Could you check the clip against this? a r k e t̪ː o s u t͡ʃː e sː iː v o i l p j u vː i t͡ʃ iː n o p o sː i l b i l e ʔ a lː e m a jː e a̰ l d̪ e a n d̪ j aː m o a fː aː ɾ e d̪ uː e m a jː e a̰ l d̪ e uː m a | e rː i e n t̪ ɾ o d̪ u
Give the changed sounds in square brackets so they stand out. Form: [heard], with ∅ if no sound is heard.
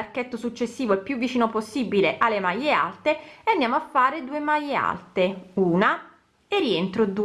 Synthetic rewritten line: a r k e t̪ː o s u t͡ʃː e sː iː v o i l p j u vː i t͡ʃ iː n o p o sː i [∅] b i l e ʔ a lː e m a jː e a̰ l [t̪] e a n d̪ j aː m o a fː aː ɾ e d̪ uː e m a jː e a̰ l [t̪] e uː [n] a | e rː i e n t̪ ɾ o d̪ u

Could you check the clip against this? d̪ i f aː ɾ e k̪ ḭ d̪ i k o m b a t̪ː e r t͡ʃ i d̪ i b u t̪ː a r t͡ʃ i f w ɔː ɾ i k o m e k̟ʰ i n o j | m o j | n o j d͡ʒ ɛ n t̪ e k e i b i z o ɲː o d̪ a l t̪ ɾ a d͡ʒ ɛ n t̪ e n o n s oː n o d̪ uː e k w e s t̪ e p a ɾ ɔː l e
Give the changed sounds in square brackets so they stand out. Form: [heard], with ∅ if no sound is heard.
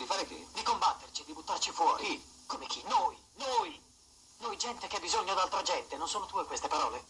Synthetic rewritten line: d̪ i f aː ɾ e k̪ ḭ d̪ i k o m b a t̪ː e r t͡ʃ i d̪ i b u t̪ː a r t͡ʃ i f w ɔː ɾ i k o m e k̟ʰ i n o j | [n] o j | n o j d͡ʒ ɛ n t̪ e k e [a] b i z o ɲː o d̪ a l t̪ ɾ a d͡ʒ ɛ n t̪ e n o n s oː n o [t̪] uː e k w e s t̪ e p a ɾ ɔː l e

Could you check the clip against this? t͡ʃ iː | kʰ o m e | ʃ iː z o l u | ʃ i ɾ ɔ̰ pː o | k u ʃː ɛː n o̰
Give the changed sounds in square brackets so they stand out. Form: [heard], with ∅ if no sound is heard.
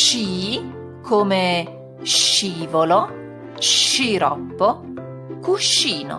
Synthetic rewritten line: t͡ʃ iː | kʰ o m e | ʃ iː [v] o l [o] | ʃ i ɾ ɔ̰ pː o | k u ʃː [iː] n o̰

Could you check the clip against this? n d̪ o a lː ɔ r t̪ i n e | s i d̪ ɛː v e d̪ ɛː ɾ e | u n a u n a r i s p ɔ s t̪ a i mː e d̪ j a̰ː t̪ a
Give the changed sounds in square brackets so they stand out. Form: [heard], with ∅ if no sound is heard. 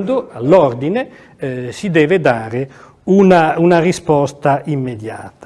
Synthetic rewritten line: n d̪ o a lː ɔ r [d̪] i n e | s i d̪ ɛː v e d̪ [aː] ɾ e | u n a u n a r i s p ɔ s t̪ a i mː e d̪ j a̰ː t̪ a

